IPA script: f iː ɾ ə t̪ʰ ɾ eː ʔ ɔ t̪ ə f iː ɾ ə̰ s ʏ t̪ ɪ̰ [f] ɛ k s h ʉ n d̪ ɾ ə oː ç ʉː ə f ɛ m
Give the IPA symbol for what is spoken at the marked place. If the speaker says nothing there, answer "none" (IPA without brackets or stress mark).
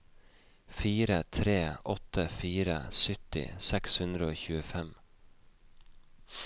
s